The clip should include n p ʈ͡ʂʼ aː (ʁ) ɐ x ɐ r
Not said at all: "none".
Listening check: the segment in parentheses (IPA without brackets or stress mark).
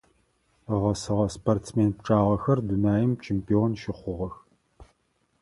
ʁ